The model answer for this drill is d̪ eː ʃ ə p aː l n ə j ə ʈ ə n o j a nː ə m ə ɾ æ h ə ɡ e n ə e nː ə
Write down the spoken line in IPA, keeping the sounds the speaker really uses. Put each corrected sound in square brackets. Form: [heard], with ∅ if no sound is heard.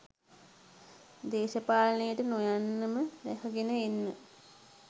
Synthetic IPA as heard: d̪ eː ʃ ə p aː l n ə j ə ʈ ə n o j a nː ə m ə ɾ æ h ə ɡ e n ə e nː ə